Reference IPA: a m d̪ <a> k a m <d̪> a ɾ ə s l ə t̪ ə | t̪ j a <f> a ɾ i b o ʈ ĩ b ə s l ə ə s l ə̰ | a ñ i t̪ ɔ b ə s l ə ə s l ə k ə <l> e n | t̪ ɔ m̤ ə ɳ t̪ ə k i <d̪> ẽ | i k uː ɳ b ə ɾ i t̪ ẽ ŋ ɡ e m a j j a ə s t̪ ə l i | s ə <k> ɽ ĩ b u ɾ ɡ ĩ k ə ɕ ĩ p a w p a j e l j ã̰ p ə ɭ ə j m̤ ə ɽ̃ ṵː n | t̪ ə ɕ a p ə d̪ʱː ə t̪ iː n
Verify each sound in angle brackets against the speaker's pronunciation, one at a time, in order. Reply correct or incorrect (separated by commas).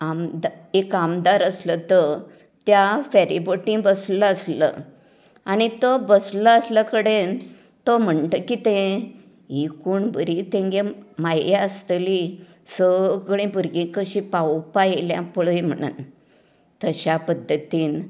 incorrect, correct, correct, incorrect, incorrect, incorrect